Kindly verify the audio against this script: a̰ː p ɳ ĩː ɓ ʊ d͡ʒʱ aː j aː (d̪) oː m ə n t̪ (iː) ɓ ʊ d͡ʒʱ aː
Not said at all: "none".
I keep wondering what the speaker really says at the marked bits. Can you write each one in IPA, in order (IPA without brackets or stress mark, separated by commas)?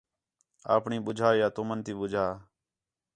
t̪, iː